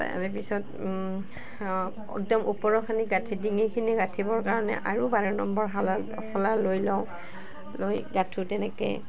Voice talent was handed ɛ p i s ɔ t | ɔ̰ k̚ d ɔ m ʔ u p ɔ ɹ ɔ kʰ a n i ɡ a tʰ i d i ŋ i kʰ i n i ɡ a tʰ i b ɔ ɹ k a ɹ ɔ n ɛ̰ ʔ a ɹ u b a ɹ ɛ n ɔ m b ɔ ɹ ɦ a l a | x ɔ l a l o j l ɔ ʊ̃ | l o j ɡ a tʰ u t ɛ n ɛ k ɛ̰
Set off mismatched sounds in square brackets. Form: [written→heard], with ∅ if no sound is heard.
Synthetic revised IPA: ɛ p i s ɔ t | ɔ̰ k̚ d ɔ m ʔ u p ɔ ɹ ɔ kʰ a n i ɡ a tʰ i d i ŋ i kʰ i n i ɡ a tʰ i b ɔ ɹ k a ɹ ɔ n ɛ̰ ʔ a ɹ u b a ɹ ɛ n ɔ m b ɔ ɹ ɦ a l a | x ɔ l a l o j l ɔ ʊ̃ | l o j ɡ a tʰ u t ɛ n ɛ k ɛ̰